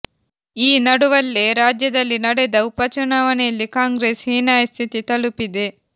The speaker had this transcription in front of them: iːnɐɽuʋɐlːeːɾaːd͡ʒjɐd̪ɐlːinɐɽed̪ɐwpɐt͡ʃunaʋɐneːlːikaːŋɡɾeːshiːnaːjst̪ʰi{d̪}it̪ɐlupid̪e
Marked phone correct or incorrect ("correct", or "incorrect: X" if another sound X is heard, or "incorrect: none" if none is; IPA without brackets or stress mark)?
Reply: incorrect: t̪